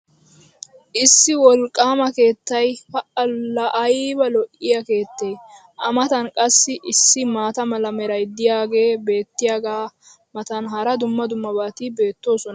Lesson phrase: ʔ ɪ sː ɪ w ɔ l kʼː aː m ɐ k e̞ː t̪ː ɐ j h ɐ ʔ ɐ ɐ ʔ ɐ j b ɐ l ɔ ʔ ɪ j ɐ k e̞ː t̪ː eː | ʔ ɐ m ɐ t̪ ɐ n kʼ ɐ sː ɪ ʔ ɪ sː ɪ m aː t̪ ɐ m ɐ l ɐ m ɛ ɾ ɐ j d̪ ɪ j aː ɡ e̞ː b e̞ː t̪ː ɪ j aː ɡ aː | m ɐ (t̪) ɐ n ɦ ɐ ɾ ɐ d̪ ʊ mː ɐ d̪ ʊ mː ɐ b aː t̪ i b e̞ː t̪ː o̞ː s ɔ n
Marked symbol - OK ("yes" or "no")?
yes